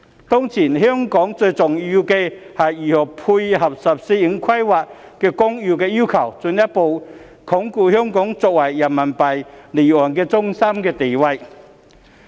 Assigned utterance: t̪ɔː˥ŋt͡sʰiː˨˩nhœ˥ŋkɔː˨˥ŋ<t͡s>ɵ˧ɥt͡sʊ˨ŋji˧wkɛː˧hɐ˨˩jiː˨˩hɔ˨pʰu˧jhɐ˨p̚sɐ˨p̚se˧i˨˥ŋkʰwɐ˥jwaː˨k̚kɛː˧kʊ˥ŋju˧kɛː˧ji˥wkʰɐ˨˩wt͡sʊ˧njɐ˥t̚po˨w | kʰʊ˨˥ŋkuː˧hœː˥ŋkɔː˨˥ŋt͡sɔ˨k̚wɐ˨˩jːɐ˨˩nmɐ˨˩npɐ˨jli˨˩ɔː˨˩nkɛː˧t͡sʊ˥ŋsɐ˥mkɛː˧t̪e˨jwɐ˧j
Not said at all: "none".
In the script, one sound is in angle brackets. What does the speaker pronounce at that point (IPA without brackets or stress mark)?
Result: t͡s